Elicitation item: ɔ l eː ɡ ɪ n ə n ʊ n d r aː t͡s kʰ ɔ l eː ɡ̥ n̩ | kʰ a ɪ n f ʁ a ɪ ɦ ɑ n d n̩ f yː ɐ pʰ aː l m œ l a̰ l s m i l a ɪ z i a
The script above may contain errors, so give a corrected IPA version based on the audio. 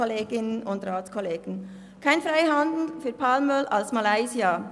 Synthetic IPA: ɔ l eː ɡ ɪ n ə n ʊ n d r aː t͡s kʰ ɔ l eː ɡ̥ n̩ | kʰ a ɪ n f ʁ a ɪ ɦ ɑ n d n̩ f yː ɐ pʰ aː l m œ l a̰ l s m a l a ɪ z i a